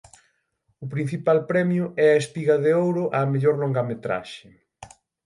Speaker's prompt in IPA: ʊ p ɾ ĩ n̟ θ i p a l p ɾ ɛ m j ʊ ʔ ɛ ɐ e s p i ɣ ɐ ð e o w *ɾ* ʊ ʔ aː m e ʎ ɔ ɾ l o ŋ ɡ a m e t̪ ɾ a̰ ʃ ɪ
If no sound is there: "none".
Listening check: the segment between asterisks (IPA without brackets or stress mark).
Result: ɾ